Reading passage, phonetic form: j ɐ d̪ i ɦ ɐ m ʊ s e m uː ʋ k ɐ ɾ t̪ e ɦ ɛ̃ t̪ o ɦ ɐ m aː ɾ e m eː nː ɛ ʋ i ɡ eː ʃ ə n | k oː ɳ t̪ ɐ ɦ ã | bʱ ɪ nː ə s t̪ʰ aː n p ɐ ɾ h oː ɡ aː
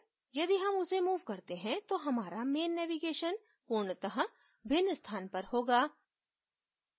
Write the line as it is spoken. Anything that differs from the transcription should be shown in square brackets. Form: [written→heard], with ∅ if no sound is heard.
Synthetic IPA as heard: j ɐ d̪ i ɦ ɐ m ʊ s e m uː ʋ k ɐ ɾ t̪ e ɦ ɛ̃ t̪ o ɦ ɐ m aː ɾ [e→a] m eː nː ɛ ʋ i ɡ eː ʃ ə n | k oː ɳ t̪ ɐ ɦ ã | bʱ ɪ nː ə s t̪ʰ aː n p ɐ ɾ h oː ɡ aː